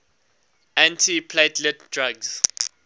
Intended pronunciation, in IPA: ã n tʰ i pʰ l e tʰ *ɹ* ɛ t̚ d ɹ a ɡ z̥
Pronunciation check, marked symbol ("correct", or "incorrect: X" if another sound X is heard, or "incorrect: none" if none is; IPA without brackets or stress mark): incorrect: l